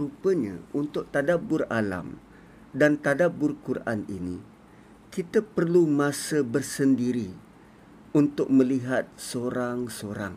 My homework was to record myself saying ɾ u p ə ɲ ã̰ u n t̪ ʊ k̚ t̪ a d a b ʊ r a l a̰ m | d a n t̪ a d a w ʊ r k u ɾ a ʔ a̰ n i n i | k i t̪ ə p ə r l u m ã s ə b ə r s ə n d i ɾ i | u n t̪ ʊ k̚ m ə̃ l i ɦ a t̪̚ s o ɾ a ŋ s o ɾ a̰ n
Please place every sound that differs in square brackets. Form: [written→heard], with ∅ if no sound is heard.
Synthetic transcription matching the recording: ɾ u p ə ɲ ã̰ u n t̪ ʊ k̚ t̪ a d a b ʊ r a l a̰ m | d a n t̪ a d a [w→b] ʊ r k u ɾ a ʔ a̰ n i n i | k i t̪ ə p ə r l u m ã s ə b ə r s ə n d i ɾ i | u n t̪ ʊ k̚ m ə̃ l i ɦ a t̪̚ s o ɾ a ŋ s o ɾ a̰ [n→ŋ]